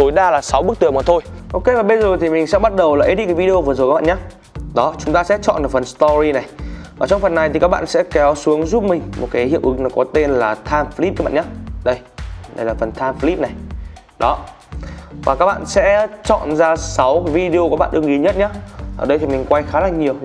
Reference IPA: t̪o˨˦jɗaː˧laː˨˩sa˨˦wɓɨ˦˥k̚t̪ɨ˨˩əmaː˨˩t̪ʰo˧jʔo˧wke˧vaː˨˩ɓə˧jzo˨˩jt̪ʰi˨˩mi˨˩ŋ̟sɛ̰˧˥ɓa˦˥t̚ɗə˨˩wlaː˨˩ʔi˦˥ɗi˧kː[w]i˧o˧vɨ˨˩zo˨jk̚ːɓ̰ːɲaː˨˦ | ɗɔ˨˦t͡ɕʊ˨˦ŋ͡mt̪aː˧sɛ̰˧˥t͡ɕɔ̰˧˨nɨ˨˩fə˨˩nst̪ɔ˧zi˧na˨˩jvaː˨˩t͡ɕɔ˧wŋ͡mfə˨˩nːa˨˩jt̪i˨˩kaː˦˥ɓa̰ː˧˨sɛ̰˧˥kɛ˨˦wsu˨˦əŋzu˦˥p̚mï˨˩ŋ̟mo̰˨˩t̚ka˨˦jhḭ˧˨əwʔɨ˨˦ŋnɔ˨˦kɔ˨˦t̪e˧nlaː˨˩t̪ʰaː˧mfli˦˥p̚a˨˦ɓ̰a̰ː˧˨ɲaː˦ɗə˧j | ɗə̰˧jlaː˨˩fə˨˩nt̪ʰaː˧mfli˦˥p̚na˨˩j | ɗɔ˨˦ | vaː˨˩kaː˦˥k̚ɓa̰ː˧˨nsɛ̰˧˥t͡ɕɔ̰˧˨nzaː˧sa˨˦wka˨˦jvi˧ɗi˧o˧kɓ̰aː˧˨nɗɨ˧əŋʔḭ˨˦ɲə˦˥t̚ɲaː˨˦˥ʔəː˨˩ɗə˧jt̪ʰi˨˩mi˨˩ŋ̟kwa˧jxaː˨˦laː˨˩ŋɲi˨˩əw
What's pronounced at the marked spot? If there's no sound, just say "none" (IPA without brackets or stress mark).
v